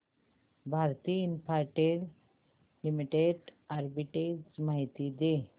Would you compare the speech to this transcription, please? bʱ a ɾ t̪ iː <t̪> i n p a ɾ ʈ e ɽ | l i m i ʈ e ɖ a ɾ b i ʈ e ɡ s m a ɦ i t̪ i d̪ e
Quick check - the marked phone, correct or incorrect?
incorrect